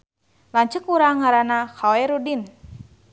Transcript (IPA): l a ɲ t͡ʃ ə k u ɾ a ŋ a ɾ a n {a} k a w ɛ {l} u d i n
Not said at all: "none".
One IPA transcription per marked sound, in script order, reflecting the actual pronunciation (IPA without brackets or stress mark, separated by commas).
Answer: a, ɾ